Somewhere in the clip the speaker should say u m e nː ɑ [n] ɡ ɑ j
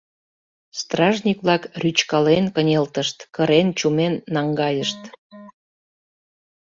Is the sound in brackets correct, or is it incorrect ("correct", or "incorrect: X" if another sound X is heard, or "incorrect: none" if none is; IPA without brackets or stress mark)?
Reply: incorrect: ŋ